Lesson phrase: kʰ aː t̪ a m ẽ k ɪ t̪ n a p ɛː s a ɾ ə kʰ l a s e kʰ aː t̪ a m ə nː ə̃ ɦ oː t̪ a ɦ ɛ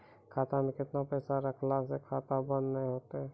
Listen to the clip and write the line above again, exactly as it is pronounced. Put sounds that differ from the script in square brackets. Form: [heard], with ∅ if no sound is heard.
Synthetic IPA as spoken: kʰ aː t̪ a m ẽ k ɪ t̪ n a p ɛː s a ɾ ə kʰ l a s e kʰ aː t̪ a [b] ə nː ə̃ ɦ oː t̪ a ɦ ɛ